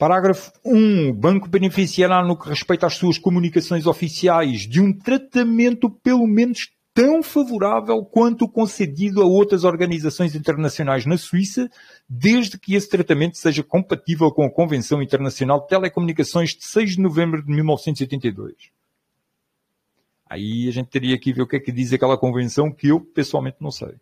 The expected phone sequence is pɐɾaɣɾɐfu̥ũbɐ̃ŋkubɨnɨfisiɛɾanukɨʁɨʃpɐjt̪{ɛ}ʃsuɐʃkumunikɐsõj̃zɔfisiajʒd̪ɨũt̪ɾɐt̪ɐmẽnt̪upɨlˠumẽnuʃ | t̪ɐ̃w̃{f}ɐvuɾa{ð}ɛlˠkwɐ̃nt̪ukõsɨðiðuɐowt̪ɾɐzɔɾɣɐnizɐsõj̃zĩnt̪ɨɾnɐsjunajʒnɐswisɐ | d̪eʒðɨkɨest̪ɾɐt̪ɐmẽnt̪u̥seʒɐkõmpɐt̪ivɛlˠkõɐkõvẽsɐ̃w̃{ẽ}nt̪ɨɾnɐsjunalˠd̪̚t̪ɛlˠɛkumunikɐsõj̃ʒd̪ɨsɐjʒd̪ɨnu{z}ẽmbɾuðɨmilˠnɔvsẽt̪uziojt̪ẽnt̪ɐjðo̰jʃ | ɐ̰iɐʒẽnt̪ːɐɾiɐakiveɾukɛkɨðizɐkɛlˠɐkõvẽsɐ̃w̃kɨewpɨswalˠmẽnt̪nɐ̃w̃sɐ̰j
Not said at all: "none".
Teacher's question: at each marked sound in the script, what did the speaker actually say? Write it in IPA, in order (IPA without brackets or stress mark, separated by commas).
a, f, v, ĩ, v